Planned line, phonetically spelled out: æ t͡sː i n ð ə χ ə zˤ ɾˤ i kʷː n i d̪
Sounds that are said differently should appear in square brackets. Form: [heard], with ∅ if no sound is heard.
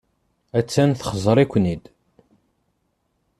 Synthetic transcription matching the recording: æ t͡sː [æ] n [θ] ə χ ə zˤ ɾˤ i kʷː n i d̪